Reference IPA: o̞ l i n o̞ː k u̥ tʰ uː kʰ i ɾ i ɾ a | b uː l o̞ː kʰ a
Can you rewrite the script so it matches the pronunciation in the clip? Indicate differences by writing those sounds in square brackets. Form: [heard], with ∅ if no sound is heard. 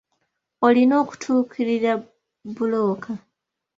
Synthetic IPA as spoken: o̞ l i n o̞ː k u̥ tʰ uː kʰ i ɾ i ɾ a | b [u] l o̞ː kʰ a